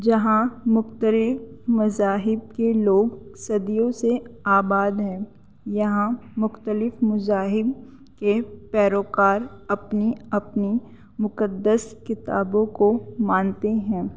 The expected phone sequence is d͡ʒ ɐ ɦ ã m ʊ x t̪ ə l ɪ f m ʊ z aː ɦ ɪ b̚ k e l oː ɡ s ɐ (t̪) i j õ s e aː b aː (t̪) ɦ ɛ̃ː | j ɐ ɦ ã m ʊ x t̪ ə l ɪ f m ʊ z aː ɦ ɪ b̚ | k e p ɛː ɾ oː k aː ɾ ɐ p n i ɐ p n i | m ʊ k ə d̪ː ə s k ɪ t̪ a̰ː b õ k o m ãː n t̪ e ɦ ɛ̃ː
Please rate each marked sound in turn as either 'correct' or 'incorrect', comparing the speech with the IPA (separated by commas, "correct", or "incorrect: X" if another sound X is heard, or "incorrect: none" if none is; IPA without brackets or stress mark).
incorrect: d̪, incorrect: d̪